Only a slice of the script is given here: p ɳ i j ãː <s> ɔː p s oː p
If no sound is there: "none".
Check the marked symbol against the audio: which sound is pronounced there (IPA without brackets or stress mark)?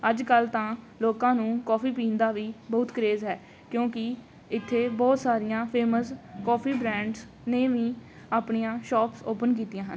ʃ